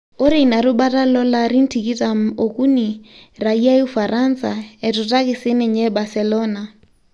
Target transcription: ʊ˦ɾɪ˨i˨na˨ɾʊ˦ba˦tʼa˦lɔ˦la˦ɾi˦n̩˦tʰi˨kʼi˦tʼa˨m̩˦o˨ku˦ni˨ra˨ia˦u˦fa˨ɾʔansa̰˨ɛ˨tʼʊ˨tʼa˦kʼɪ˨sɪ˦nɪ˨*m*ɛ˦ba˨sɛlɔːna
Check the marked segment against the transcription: incorrect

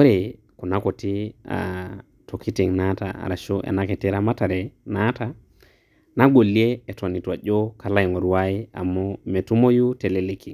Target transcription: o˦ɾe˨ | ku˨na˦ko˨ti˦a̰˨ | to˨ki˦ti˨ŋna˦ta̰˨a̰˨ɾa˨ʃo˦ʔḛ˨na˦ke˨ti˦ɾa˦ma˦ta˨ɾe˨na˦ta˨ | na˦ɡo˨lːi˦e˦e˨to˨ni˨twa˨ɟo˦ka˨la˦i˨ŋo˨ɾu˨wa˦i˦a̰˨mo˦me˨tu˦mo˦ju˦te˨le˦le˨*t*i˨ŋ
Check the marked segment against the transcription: incorrect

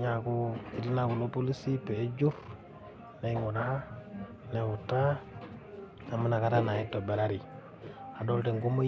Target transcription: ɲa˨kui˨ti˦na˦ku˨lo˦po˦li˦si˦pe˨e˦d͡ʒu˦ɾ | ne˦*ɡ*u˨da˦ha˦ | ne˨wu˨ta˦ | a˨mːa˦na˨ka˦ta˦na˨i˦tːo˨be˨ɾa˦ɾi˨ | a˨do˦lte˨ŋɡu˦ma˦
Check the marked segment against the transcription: incorrect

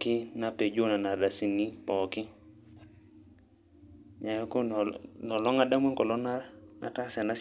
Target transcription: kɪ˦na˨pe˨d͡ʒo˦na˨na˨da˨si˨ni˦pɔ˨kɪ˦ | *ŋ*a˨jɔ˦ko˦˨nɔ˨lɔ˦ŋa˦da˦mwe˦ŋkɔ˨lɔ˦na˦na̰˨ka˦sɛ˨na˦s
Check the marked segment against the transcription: incorrect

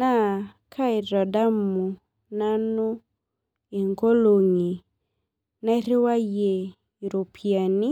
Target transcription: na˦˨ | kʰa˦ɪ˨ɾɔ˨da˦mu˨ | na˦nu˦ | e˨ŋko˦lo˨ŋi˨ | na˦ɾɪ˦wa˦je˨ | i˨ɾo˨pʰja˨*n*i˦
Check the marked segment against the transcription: correct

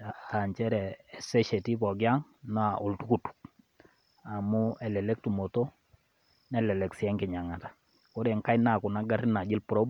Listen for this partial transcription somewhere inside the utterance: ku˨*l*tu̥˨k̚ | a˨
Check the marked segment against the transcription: incorrect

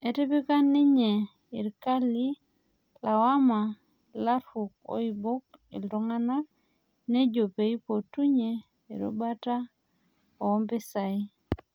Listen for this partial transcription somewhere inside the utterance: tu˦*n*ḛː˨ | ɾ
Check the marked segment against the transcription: incorrect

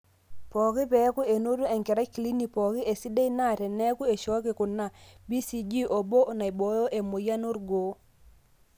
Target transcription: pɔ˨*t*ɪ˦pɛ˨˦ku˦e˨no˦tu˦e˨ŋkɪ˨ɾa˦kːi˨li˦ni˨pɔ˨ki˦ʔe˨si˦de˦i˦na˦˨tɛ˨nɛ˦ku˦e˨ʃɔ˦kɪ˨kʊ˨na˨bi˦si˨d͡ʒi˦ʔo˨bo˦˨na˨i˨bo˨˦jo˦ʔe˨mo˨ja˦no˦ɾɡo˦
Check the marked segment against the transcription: incorrect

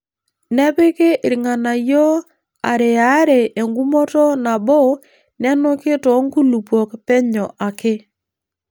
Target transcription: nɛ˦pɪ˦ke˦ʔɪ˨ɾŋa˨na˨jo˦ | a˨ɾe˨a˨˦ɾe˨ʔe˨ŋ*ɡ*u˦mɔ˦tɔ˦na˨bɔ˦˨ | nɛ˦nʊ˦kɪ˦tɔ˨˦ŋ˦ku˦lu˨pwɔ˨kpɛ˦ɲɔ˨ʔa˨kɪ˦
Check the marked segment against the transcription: correct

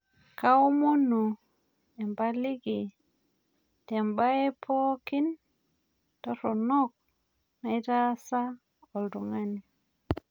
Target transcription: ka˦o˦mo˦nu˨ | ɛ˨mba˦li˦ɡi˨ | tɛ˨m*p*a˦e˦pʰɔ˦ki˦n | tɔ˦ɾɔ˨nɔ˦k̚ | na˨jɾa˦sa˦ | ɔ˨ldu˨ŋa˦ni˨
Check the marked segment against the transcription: incorrect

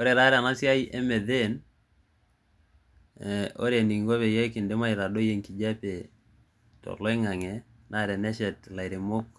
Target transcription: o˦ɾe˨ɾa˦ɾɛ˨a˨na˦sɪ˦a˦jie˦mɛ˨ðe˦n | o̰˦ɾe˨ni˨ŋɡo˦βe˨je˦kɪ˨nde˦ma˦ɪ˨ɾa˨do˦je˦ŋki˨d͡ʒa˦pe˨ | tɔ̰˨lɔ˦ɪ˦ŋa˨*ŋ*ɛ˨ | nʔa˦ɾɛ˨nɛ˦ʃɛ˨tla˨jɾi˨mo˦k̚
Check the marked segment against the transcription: correct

